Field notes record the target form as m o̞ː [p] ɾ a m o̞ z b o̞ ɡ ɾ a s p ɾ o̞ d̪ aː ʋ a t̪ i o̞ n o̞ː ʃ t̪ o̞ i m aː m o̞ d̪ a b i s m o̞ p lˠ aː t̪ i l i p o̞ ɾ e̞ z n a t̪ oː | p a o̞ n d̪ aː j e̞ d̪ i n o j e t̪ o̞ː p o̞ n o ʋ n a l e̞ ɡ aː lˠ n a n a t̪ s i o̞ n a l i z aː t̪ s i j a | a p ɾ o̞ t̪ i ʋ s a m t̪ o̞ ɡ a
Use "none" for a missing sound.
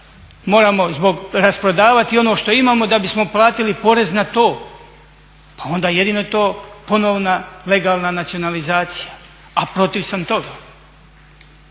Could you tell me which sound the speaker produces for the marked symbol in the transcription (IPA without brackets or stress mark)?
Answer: none